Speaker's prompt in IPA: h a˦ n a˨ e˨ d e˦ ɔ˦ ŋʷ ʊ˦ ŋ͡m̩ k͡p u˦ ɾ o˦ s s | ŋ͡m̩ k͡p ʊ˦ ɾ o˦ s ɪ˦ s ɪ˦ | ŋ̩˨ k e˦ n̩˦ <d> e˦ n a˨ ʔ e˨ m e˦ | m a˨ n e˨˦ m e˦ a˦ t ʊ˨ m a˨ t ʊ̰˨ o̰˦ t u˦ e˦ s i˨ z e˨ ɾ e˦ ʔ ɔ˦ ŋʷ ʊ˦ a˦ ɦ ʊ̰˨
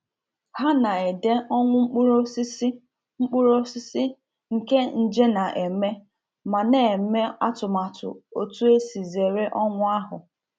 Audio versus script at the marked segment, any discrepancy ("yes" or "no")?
yes